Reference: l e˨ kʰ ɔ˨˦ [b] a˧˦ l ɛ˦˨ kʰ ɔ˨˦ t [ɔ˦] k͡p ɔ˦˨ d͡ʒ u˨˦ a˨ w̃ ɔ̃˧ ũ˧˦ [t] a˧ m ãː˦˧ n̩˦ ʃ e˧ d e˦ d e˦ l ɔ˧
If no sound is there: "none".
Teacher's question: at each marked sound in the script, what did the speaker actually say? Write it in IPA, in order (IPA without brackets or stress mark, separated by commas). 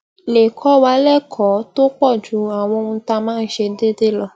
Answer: w, o˦, t